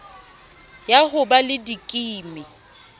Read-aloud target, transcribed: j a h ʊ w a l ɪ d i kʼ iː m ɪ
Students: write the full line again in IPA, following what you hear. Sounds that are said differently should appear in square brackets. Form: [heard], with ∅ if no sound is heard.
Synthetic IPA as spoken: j a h ʊ [b] a l ɪ d i kʼ iː m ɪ